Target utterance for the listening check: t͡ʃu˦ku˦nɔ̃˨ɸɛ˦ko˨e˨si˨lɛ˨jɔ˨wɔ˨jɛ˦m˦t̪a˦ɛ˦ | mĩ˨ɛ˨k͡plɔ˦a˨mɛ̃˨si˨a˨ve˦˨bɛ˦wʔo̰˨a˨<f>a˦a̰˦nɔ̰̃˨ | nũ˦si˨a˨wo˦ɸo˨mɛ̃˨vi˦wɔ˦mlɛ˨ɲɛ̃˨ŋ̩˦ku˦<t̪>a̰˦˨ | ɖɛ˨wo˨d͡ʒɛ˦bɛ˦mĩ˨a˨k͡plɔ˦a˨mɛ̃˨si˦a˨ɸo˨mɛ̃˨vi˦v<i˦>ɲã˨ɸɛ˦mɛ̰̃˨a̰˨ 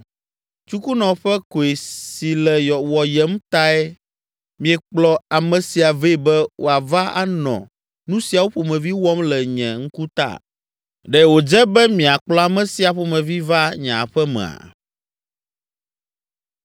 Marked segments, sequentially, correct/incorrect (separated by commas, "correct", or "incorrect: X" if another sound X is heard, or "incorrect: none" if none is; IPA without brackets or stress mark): incorrect: v, correct, incorrect: a˦